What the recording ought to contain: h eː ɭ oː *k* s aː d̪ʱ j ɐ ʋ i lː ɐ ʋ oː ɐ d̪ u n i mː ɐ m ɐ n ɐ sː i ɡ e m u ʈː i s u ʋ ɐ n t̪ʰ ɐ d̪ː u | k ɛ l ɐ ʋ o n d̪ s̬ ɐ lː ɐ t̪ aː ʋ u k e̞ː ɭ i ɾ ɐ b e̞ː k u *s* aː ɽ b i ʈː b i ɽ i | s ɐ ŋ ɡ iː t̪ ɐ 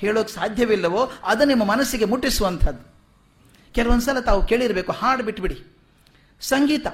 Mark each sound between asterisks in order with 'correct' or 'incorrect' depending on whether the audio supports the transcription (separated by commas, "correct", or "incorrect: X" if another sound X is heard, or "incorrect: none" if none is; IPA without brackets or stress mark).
correct, incorrect: h